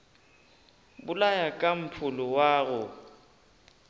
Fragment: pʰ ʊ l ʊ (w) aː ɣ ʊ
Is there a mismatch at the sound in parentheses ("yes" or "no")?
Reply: no